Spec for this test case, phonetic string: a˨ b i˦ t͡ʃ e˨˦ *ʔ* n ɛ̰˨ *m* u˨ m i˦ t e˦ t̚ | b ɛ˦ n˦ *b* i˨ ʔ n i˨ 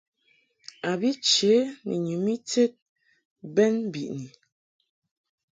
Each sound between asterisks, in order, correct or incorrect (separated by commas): incorrect, incorrect, correct